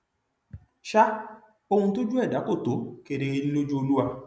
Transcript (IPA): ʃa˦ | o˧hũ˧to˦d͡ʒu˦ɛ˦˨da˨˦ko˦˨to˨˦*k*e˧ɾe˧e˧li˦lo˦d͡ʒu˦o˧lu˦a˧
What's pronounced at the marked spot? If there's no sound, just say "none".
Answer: k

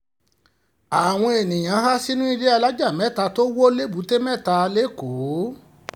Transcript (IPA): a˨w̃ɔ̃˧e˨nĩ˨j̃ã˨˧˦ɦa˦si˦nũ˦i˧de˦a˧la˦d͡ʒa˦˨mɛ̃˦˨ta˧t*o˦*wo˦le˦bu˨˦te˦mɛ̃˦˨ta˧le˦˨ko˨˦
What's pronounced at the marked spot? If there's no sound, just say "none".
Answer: o˦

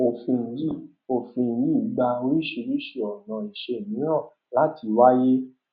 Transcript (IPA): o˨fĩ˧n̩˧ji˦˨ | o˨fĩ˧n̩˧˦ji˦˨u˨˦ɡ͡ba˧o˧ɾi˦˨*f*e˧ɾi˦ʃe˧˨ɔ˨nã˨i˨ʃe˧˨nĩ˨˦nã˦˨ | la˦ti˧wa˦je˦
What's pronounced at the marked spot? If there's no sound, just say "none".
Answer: ʃ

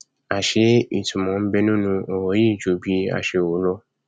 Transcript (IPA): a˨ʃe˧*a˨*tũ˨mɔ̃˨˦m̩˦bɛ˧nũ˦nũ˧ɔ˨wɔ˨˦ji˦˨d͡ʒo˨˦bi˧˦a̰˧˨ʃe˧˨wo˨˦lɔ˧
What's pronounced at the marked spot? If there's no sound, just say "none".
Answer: i˨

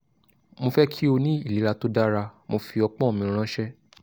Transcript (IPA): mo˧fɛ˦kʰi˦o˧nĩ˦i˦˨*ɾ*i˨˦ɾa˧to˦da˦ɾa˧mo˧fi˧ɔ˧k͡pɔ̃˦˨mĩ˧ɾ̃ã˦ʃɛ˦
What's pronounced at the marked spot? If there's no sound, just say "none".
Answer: l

